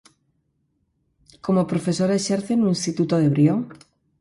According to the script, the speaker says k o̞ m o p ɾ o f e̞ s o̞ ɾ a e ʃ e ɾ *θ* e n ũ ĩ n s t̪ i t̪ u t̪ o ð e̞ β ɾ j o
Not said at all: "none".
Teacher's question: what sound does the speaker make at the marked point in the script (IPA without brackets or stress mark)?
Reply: θ